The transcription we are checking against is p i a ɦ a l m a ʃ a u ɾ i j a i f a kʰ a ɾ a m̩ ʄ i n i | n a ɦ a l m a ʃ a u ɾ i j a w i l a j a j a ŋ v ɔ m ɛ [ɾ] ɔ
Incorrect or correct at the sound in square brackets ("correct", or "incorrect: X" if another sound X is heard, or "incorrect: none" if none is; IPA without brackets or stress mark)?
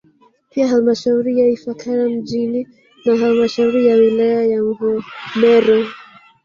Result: correct